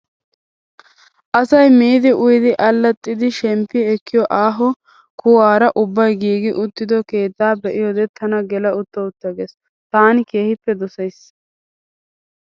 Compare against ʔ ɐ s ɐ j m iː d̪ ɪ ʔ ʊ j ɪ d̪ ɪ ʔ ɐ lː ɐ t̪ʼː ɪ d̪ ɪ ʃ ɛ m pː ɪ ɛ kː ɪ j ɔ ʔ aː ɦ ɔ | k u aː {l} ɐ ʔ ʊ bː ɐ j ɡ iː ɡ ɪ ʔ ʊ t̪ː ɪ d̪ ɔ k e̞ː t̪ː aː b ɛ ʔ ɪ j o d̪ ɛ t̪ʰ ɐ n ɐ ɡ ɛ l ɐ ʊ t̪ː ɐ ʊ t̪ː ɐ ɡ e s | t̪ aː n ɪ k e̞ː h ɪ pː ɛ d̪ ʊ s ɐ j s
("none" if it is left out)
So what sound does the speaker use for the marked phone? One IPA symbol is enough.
ɾ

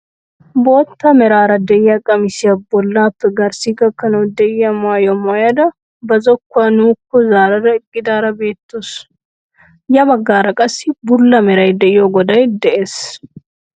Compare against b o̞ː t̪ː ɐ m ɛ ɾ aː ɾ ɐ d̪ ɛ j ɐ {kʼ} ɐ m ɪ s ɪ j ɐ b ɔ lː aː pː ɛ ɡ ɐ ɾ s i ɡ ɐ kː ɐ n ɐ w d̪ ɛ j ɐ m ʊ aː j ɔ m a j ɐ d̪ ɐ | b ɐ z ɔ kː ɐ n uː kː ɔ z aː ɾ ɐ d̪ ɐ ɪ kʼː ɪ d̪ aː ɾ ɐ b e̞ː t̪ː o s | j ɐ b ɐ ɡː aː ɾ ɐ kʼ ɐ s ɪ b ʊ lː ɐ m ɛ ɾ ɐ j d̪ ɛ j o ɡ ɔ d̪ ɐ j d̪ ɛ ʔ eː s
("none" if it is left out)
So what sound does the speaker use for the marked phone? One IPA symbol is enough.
kʼ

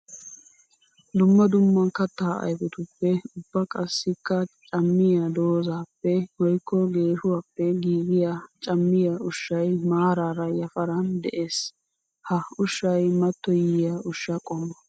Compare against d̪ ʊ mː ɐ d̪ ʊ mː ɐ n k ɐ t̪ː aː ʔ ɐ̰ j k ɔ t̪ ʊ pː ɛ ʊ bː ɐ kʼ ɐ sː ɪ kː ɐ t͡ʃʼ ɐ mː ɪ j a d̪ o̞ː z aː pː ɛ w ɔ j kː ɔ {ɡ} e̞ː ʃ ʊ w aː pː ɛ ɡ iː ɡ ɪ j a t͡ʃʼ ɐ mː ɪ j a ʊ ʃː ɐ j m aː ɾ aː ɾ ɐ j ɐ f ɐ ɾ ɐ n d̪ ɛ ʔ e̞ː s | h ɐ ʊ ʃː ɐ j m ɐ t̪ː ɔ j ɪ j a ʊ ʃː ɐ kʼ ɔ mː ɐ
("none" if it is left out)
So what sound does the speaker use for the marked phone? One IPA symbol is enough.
ɡ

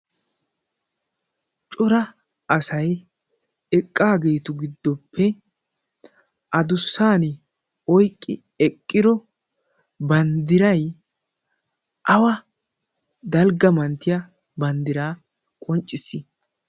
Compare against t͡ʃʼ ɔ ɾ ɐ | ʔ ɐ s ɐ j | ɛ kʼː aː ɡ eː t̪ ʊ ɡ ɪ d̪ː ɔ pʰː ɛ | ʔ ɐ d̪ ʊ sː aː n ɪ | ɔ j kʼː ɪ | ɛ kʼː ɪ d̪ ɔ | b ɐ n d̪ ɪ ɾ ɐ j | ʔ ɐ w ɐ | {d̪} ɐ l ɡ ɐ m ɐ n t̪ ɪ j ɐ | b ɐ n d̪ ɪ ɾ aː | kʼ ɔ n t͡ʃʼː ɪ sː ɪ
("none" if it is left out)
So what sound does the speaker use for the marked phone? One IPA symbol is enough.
d̪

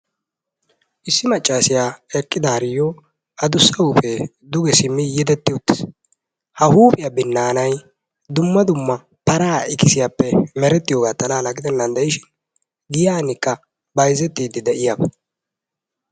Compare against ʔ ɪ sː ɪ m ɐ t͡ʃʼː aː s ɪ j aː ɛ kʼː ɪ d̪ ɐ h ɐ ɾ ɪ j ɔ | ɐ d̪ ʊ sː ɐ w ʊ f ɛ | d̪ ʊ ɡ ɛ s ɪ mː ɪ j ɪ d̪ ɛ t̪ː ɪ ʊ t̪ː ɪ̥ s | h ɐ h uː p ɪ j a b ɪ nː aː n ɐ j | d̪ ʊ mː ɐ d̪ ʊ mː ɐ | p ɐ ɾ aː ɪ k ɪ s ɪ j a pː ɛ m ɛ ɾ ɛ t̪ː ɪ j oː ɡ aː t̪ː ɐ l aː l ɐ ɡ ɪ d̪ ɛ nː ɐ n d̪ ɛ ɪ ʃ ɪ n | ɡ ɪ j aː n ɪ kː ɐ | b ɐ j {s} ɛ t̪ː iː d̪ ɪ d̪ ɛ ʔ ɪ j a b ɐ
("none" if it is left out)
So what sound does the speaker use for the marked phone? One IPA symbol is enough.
z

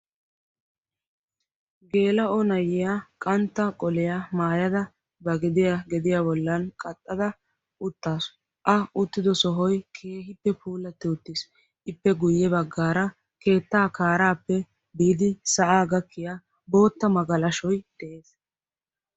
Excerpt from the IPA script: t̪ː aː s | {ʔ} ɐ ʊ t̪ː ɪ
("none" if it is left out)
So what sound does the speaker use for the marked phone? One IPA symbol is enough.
ʔ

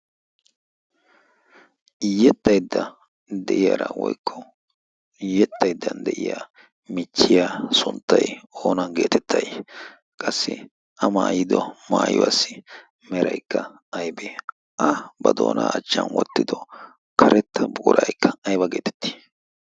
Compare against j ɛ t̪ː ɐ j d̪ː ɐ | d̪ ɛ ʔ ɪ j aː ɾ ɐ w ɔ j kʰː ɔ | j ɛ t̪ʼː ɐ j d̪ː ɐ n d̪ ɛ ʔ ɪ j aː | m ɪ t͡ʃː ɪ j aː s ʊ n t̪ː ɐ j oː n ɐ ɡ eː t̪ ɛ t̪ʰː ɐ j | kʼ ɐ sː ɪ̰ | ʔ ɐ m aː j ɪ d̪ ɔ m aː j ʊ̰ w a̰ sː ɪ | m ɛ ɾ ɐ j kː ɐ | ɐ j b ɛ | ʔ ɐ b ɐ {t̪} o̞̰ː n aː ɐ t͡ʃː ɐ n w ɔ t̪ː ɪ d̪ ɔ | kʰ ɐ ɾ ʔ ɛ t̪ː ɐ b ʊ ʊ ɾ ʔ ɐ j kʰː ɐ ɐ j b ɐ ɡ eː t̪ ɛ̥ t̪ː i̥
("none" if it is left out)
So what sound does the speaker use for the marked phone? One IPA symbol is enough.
d̪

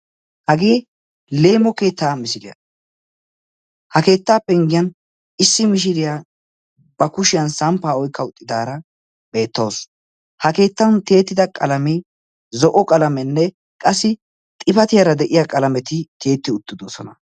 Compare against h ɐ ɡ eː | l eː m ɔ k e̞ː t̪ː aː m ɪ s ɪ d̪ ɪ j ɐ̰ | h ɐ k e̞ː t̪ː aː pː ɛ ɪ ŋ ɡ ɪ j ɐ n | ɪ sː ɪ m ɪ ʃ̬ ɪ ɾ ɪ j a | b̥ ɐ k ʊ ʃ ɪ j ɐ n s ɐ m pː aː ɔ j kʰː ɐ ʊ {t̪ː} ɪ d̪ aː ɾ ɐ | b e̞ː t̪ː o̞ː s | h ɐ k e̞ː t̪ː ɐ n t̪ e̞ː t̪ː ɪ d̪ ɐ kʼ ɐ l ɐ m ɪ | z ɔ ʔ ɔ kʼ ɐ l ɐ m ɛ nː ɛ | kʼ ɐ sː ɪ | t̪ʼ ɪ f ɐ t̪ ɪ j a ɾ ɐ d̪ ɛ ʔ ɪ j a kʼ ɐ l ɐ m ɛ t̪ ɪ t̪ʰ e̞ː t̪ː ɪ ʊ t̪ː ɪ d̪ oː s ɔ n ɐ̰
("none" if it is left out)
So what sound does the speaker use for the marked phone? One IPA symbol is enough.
t̪ʼː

